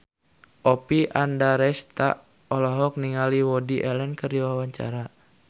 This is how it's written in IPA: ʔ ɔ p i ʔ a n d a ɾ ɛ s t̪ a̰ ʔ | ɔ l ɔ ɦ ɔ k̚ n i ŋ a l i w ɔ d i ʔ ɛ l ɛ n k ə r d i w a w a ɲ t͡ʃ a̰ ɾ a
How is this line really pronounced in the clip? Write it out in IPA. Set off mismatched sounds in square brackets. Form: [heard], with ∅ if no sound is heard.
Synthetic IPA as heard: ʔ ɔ p i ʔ a n d a ɾ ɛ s t̪ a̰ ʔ | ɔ l ɔ ɦ ɔ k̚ n i ŋ a l i w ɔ d i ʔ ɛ l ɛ n k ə r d i w a w a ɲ t͡ʃ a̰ ɾ a